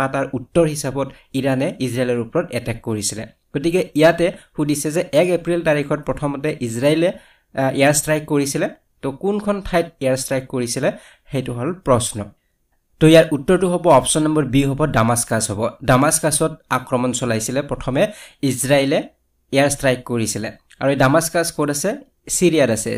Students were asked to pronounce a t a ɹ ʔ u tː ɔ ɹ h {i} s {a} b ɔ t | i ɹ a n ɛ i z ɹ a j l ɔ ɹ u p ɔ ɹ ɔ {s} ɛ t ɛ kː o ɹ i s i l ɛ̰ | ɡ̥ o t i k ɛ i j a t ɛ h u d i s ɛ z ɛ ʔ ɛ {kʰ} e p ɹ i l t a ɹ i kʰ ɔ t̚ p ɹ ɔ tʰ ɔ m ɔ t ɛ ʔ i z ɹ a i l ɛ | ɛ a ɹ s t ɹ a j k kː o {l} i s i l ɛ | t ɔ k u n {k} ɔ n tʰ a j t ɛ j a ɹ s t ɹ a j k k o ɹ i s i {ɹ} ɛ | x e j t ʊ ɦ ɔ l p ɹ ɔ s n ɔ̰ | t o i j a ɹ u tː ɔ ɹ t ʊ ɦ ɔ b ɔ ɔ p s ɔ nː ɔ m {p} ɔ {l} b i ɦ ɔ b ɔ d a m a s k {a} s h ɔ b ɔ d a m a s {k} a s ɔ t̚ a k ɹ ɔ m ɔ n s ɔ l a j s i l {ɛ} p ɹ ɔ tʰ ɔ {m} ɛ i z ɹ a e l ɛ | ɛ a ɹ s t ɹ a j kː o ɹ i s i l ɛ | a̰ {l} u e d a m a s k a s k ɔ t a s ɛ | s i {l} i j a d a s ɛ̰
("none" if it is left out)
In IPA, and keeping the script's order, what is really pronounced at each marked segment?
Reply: i, a, t, k, ɹ, kʰ, l, b, ɹ, a, k, ɛ, m, ɹ, ɹ

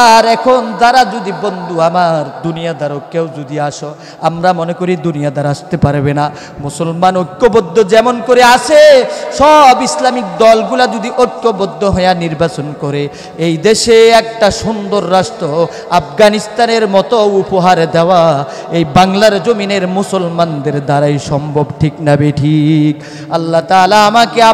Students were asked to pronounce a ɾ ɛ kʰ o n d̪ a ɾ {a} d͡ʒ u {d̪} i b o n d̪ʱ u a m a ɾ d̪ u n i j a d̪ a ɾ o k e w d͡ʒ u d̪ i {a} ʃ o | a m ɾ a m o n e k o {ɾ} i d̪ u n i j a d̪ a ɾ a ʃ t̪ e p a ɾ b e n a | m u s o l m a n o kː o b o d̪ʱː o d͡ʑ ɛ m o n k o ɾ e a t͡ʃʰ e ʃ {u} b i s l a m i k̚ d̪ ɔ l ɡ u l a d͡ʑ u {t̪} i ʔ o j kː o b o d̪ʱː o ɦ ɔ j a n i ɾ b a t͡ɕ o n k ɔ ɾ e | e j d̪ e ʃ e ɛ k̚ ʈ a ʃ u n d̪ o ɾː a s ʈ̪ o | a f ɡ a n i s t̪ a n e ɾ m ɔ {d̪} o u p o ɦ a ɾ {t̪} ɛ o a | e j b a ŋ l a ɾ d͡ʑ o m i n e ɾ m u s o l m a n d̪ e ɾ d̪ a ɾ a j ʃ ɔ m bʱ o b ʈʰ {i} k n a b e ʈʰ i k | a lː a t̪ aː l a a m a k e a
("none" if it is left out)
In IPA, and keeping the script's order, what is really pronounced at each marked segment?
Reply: a, d̪, a, ɾ, ɔ, d̪, t̪, d̪, i

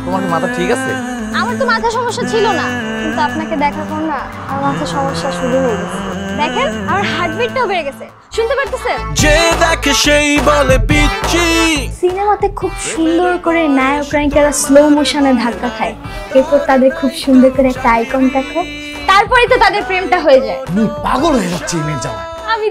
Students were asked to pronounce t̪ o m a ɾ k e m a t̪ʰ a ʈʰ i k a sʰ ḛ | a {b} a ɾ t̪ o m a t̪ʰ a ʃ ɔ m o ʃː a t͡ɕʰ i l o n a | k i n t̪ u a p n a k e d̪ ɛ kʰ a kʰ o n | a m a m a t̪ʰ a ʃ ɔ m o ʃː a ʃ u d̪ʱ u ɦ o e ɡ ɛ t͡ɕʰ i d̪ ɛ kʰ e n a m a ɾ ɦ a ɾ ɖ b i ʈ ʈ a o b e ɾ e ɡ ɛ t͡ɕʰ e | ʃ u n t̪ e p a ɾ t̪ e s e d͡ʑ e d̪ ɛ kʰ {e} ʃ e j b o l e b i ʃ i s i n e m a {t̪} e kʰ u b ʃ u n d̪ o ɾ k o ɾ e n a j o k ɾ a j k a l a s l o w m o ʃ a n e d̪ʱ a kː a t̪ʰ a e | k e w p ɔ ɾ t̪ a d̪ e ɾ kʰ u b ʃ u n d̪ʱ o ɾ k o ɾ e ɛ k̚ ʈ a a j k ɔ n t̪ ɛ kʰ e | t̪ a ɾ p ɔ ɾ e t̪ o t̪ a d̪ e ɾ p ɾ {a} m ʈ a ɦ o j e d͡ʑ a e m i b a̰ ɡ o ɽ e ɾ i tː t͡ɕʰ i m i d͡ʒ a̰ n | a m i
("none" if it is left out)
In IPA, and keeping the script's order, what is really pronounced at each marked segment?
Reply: m, e, t̪, e

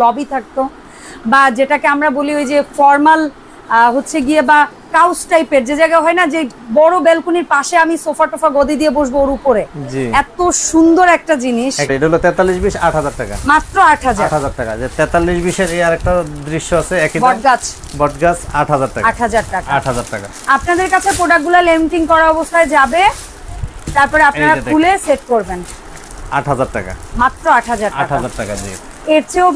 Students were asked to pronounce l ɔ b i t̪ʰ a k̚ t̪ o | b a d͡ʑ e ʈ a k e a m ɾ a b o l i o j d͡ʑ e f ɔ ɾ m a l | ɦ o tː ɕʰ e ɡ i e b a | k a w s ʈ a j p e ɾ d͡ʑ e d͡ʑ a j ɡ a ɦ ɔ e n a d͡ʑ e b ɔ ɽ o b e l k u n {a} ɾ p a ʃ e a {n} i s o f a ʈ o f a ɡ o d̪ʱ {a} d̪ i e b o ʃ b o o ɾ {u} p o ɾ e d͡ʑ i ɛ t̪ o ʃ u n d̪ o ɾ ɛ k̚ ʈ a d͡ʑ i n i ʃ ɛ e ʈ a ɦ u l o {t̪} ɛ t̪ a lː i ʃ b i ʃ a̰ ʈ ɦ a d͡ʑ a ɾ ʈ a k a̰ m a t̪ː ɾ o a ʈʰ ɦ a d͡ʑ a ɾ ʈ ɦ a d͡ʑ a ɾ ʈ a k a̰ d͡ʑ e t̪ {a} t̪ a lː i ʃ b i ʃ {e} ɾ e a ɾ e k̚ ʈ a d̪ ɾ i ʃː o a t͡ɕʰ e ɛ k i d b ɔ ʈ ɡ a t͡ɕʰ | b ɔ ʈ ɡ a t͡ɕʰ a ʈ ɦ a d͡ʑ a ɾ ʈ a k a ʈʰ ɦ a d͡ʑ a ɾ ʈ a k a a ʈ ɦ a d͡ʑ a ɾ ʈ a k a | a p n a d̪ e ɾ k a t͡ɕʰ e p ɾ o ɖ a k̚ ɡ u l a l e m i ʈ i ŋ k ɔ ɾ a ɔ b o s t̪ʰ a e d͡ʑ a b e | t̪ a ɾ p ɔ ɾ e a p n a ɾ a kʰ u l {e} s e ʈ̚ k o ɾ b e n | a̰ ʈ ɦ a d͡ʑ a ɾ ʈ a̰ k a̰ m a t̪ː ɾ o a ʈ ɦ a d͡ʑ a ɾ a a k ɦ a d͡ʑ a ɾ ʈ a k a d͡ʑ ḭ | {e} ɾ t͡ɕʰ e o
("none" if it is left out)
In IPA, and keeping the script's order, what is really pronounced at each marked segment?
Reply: i, m, i, u, t̪, ɛ, e, e, e

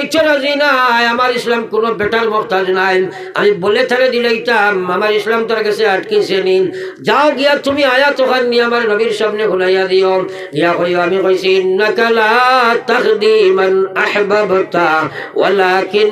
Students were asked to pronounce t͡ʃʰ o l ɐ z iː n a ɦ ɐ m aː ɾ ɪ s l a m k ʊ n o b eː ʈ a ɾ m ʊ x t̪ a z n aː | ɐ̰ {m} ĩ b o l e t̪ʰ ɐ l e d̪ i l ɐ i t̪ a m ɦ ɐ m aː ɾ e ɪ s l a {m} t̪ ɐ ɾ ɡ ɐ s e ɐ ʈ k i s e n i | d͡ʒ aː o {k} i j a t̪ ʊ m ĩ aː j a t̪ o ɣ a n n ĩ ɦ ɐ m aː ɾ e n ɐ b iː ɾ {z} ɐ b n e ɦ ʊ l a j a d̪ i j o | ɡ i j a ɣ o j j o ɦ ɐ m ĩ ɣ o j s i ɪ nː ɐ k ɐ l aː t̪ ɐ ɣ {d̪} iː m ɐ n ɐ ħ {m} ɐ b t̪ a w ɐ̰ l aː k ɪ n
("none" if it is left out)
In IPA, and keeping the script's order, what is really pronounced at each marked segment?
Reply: m, m, ɡ, s, d̪, b

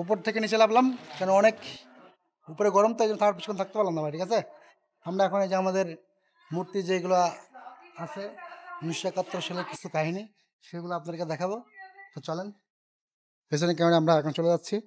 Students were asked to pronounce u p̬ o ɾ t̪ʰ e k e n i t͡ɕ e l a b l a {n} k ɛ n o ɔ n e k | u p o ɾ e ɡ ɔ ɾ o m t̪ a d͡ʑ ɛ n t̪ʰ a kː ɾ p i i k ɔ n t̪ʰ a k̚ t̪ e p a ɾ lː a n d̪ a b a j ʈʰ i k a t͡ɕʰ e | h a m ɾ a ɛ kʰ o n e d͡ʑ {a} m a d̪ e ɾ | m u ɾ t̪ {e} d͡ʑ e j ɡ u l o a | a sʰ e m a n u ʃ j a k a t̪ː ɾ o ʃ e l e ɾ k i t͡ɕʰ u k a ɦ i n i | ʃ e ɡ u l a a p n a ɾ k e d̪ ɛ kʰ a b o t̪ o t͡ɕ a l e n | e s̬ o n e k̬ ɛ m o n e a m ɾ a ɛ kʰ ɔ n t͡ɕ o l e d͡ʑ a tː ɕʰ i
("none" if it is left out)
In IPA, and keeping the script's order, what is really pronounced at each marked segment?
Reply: m, a, i

